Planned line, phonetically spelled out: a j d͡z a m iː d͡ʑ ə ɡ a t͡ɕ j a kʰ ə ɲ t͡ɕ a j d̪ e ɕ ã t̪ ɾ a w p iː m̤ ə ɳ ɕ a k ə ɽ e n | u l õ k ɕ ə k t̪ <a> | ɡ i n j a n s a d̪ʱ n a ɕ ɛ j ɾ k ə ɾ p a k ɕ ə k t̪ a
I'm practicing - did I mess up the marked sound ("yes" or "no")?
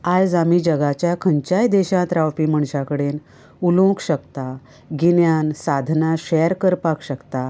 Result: no